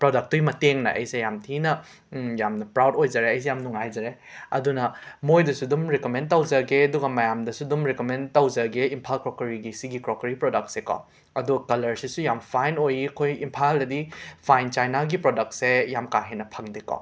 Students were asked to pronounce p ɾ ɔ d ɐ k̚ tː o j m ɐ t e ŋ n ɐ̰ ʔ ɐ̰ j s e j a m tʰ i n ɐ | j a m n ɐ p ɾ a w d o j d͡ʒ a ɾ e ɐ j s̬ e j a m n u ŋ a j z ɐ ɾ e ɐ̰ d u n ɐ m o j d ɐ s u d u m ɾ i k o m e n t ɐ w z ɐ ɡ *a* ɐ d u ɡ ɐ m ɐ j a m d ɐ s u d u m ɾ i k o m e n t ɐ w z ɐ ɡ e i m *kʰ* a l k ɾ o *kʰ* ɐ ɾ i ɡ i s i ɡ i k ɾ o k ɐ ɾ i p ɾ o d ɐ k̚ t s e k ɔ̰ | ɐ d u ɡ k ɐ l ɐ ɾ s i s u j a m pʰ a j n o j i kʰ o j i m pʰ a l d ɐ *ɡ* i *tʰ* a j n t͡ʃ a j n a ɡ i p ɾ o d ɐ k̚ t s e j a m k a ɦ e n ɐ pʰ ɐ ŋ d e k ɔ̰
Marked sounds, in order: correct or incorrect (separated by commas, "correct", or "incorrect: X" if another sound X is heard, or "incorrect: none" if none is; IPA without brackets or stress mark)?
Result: incorrect: e, incorrect: pʰ, incorrect: k, incorrect: d, incorrect: pʰ